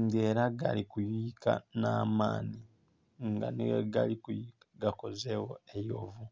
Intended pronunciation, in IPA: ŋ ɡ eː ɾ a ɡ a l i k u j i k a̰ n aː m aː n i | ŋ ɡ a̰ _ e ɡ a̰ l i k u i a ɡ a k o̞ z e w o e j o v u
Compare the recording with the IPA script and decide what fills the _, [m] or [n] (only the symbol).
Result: n